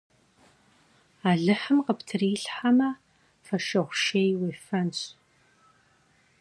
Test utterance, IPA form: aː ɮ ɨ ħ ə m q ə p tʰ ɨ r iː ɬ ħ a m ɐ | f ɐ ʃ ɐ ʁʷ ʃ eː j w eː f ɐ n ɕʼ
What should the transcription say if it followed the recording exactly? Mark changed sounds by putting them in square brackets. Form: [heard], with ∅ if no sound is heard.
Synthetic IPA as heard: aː ɮ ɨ ħ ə m q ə p tʰ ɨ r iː ɬ ħ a m ɐ | f ɐ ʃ ɐ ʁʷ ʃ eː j w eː f ɐ n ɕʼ